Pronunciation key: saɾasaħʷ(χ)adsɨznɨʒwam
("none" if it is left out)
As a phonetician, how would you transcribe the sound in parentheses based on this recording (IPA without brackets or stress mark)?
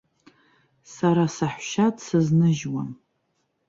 ʃ